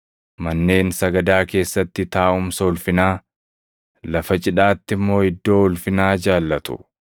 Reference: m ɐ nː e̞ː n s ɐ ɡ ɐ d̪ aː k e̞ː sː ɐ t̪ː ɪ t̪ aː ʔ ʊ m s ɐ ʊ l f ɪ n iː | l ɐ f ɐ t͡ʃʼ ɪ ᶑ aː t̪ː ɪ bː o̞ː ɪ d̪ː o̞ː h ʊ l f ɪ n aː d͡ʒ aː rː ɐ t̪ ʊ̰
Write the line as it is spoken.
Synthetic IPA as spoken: m ɐ nː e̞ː n s ɐ ɡ ɐ d̪ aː k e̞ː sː ɐ t̪ː ɪ t̪ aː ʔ ʊ m s ɐ ʊ l f ɪ n aː | l ɐ f ɐ t͡ʃʼ ɪ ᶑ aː t̪ː ɪ mː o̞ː ɪ d̪ː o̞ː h ʊ l f ɪ n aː d͡ʒ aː lː ɐ t̪ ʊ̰